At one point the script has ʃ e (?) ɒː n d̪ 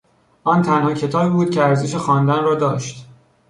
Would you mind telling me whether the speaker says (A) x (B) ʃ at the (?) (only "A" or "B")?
A